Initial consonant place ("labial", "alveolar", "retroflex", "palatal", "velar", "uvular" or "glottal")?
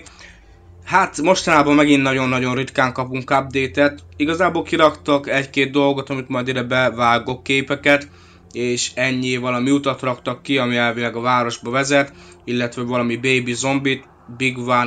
glottal